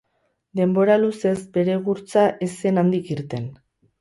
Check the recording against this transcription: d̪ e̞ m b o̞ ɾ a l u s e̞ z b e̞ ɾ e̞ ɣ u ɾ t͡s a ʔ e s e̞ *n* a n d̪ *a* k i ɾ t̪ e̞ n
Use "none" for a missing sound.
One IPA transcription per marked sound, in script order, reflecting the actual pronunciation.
n, i

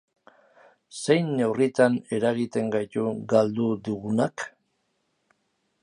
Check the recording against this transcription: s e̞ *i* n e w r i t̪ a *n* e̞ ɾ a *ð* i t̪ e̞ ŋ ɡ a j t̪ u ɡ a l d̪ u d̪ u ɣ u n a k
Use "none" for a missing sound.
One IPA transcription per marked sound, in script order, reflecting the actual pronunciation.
j, n, ɣ

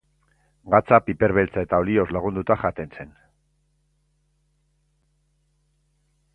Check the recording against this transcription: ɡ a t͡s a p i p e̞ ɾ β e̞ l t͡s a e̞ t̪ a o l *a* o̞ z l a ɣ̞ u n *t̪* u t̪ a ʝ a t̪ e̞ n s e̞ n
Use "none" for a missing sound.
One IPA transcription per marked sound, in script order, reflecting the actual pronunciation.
i, d̪

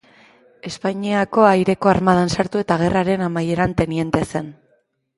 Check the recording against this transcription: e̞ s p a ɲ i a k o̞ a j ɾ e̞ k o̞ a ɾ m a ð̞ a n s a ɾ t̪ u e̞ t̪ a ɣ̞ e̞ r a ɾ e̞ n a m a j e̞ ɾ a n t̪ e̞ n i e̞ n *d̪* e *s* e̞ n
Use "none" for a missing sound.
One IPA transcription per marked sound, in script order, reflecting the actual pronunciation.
t̪, s

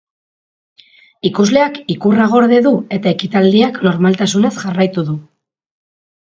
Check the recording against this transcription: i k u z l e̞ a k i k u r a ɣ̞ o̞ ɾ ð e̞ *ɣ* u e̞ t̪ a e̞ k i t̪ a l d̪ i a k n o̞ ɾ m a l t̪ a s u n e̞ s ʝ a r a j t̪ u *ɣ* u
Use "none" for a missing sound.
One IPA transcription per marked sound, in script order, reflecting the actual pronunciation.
ð, ð

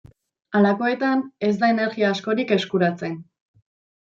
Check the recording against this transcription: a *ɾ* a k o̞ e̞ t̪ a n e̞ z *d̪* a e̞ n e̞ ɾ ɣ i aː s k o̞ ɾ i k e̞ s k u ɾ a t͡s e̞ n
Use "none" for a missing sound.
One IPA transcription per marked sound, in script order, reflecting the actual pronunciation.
l, d̪

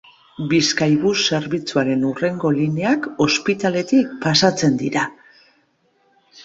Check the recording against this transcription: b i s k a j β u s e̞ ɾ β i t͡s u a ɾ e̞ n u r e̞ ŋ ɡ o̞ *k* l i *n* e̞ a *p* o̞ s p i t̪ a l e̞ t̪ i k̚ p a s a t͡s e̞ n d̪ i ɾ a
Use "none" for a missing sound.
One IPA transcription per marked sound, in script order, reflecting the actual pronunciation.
none, n, k

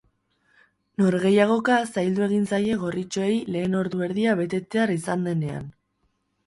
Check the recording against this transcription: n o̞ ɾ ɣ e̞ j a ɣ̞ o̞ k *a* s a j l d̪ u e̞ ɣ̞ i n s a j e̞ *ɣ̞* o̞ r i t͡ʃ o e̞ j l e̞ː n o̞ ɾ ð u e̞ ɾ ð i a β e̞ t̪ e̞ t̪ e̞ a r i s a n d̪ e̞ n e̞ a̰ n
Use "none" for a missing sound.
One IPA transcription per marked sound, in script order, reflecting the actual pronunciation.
a, ɣ̞

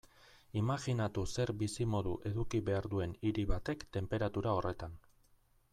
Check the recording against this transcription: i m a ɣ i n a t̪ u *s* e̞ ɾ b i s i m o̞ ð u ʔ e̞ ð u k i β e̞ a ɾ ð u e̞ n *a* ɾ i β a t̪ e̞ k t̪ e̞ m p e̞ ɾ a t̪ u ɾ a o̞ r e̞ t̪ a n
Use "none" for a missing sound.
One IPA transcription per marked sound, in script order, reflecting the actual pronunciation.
s, i

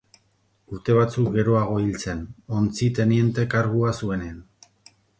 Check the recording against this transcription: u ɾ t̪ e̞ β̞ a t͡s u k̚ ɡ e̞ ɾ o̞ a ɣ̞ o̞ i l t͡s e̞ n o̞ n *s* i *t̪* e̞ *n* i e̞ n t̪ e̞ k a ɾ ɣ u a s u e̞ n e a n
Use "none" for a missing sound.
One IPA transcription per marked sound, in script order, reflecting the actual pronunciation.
t͡s, t̪, n

